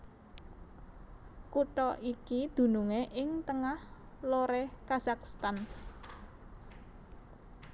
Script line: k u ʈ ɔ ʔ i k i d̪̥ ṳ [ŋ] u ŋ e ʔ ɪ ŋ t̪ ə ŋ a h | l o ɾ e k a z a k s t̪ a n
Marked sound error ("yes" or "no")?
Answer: yes